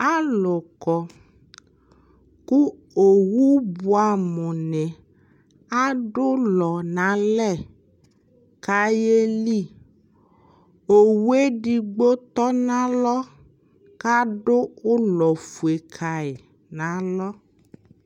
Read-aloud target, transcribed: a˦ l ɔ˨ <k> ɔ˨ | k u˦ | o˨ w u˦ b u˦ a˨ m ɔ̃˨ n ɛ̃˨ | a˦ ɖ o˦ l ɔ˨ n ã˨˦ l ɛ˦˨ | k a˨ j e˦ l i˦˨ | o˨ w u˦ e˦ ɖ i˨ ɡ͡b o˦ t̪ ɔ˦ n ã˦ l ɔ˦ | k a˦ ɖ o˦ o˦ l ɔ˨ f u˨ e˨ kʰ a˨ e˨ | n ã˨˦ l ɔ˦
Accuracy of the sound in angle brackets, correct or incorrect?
correct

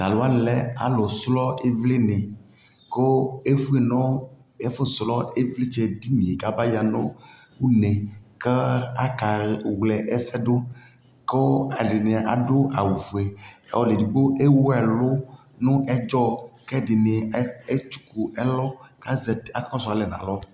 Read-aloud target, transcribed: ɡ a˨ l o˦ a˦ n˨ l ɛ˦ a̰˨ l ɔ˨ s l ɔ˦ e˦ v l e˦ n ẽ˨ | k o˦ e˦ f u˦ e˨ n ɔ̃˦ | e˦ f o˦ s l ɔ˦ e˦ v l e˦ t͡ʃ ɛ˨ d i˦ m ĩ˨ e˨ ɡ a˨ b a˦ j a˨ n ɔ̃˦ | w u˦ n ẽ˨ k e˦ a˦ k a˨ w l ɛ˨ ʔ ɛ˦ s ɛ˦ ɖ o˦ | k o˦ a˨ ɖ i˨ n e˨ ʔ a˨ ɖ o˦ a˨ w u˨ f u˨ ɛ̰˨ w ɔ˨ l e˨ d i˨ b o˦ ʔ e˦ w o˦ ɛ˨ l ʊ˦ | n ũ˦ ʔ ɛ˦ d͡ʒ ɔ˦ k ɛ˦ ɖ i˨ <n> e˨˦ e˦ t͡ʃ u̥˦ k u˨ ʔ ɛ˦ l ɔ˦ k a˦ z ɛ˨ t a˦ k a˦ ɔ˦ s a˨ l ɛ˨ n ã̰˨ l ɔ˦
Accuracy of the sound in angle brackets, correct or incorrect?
correct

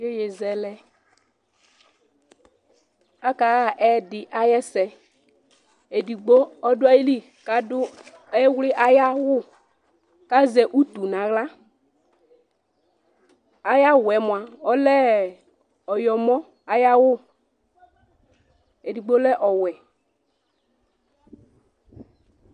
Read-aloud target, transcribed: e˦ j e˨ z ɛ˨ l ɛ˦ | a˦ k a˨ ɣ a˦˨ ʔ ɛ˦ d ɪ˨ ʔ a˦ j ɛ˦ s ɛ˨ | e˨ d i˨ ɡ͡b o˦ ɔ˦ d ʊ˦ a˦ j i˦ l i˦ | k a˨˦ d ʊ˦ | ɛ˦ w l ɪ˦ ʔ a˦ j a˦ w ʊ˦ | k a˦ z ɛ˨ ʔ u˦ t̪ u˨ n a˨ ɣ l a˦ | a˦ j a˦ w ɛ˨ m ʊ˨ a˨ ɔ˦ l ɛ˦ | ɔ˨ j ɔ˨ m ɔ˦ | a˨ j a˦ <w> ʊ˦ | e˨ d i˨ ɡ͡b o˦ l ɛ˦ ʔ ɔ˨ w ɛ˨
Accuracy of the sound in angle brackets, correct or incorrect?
correct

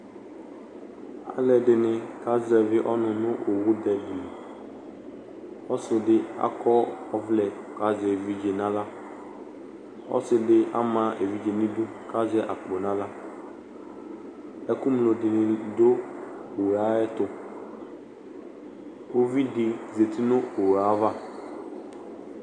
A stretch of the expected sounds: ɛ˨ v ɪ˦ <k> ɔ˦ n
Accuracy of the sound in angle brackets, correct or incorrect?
incorrect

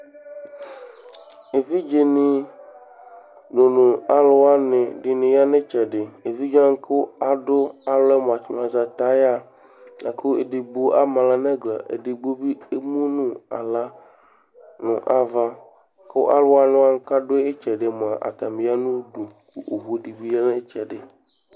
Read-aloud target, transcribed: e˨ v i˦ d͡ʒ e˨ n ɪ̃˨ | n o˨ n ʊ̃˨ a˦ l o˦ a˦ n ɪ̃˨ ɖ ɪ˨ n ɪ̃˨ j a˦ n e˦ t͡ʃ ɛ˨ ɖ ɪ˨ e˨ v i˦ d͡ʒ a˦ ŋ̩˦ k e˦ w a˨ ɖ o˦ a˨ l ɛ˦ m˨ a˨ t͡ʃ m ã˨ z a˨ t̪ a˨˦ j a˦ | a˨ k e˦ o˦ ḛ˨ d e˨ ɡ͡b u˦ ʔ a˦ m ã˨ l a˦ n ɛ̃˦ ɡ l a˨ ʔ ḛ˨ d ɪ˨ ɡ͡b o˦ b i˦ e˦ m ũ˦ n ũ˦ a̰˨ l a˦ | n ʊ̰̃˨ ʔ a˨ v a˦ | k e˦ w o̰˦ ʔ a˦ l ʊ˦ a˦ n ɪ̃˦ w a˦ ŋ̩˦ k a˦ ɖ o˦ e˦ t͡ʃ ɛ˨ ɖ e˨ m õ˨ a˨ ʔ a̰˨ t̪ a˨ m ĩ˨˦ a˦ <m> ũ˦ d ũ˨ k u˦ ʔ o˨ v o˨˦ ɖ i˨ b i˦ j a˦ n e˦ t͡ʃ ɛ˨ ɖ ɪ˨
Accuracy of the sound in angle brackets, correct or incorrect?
incorrect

